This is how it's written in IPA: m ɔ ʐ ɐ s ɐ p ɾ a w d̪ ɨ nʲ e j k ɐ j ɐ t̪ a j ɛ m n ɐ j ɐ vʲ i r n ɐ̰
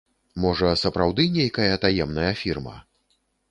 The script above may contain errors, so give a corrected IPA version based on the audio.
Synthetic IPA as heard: m ɔ ʐ ɐ s ɐ p ɾ a w d̪ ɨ nʲ e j k ɐ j ɐ t̪ a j ɛ m n ɐ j ɐ fʲ i r m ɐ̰